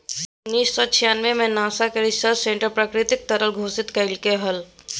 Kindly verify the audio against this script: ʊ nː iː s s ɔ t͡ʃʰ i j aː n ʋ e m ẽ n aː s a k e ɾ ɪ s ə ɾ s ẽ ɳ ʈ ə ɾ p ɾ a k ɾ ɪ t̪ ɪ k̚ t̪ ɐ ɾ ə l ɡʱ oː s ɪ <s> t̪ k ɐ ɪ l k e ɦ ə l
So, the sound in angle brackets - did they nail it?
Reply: no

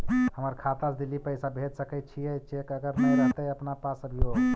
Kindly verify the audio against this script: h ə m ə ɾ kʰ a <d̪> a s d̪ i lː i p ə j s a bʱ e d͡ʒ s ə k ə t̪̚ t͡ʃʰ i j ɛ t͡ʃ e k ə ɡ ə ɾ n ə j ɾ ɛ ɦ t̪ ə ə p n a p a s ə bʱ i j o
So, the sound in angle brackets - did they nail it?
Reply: no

